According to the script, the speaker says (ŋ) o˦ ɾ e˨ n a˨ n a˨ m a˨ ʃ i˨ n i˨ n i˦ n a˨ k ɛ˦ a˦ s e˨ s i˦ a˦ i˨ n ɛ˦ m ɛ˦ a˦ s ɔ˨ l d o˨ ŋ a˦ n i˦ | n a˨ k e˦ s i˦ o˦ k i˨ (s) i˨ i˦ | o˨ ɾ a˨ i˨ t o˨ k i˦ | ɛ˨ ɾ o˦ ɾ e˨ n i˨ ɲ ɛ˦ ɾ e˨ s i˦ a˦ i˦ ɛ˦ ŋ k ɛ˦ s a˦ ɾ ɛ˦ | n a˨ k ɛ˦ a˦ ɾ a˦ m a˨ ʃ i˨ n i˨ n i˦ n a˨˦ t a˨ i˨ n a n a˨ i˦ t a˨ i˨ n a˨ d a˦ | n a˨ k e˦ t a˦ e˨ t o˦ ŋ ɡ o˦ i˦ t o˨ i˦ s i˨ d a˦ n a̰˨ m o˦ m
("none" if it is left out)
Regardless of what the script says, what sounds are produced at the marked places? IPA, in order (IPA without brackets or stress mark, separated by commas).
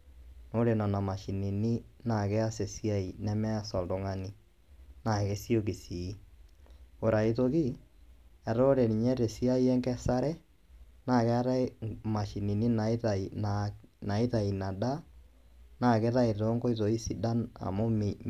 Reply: n, s